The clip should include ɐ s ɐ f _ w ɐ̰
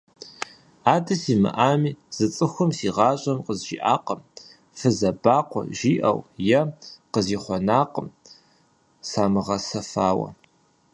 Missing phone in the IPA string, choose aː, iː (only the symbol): aː